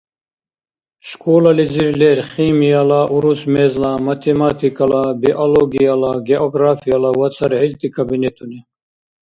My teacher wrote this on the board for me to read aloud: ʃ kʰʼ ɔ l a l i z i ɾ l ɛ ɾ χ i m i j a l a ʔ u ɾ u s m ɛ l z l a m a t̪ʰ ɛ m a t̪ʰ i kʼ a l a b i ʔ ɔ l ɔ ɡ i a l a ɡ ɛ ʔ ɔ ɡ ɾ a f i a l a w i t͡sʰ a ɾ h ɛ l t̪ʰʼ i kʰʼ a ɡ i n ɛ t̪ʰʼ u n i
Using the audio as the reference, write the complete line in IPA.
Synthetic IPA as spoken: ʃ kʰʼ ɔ l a l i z i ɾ l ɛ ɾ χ i m i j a l a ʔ u ɾ u s m ɛ z l a m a t̪ʰ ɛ m a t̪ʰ i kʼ a l a b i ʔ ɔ l ɔ ɡ i a l a ɡ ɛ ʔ ɔ ɡ ɾ a f i a l a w a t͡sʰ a ɾ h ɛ l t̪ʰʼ i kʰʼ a b i n ɛ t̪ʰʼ u n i